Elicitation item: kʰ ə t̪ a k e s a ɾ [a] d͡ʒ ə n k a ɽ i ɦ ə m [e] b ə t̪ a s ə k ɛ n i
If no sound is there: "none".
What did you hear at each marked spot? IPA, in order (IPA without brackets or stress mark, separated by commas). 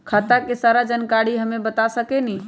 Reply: a, e